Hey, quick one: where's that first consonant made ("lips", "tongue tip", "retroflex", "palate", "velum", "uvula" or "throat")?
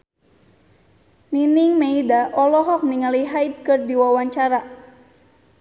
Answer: tongue tip